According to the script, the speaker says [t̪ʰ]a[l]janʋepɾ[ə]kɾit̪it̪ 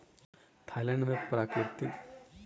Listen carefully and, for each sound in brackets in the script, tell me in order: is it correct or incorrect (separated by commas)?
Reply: correct, correct, incorrect